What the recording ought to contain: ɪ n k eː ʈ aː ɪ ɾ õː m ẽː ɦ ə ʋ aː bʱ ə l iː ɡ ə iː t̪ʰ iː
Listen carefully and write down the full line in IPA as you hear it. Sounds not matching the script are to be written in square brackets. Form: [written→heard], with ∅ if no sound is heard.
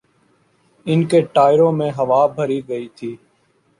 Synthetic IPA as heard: ɪ n k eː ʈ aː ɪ ɾ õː m ẽː ɦ ə ʋ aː bʱ ə [l→ɾ] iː ɡ ə iː t̪ʰ iː